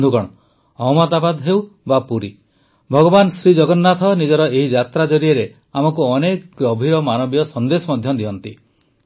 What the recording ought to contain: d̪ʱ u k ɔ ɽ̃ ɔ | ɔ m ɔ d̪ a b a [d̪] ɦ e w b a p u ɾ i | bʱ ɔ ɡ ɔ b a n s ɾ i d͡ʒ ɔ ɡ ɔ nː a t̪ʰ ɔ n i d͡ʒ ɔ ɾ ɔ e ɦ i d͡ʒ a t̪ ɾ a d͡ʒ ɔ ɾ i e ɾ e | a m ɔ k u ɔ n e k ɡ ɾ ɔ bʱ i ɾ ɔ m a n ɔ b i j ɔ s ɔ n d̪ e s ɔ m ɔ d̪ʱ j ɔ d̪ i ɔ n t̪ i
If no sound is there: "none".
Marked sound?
d̪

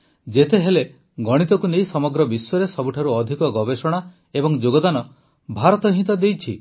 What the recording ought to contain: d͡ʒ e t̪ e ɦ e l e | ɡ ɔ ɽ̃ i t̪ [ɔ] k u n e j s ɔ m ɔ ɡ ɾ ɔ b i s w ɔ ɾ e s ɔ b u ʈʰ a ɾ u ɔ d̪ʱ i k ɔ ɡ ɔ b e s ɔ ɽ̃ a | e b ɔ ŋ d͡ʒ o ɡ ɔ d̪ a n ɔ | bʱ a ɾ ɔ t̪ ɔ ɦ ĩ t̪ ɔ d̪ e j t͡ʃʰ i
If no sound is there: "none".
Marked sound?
ɔ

